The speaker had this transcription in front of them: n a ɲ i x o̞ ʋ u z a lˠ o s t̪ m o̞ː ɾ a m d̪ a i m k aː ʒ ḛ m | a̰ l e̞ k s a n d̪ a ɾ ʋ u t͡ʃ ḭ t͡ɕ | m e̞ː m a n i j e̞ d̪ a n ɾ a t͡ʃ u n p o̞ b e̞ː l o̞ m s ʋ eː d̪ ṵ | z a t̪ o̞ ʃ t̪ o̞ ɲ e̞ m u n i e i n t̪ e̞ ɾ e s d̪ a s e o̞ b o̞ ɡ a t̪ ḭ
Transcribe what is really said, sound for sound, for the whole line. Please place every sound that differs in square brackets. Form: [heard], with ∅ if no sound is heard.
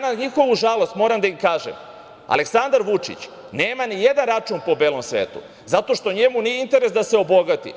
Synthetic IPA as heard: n a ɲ i x o̞ ʋ u [ʒ] a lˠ o s t̪ m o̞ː ɾ a m d̪ a i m k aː ʒ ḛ m | a̰ l e̞ k s a n d̪ a ɾ ʋ u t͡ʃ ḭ t͡ɕ | [n] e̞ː m a n i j e̞ d̪ a n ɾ a t͡ʃ u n p o̞ b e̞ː l o̞ m s ʋ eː [t̪] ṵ | z a t̪ o̞ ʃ t̪ o̞ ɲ e̞ m u n i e i n t̪ e̞ ɾ e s d̪ a s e o̞ b o̞ ɡ a t̪ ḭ